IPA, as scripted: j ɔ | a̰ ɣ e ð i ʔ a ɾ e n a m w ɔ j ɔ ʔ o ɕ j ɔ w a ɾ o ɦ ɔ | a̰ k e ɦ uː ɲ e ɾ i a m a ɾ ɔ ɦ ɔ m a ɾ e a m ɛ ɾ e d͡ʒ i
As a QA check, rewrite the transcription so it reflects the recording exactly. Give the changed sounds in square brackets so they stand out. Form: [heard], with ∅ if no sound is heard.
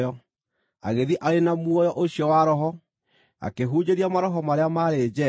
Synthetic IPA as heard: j ɔ | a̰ ɣ e ð i ʔ a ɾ e n a m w ɔ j ɔ ʔ o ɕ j ɔ w a ɾ [ɔ] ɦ ɔ | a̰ k e ɦ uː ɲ e ɾ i a m a ɾ ɔ ɦ ɔ m a ɾ e a m [a] ɾ e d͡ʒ [ɛ]